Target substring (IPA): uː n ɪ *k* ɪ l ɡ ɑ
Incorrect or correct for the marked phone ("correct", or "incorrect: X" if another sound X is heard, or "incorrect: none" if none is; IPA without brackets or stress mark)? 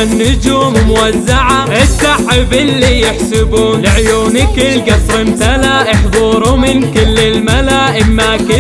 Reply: correct